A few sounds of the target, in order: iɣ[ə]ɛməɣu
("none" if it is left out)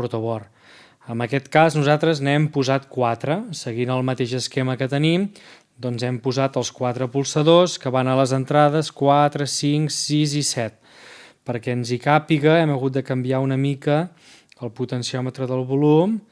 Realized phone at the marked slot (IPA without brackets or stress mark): ə